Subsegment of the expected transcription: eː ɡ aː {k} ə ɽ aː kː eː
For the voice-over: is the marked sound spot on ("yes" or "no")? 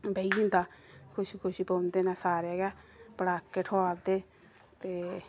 no